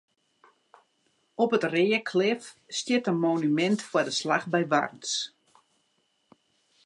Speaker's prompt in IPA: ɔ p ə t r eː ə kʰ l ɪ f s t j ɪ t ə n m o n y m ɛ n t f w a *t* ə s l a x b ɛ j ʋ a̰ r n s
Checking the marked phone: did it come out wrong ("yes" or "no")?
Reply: yes